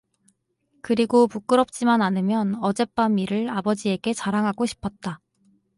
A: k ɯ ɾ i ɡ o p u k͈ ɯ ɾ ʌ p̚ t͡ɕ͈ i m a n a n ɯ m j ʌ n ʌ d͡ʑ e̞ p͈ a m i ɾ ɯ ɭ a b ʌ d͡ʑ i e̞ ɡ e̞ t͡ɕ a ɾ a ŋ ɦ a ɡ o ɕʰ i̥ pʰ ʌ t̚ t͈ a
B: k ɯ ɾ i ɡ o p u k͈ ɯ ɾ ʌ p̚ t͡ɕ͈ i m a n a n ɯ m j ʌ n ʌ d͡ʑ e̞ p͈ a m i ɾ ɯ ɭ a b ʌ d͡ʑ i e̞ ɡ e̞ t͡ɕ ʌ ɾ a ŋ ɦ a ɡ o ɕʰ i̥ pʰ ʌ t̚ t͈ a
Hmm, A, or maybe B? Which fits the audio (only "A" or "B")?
A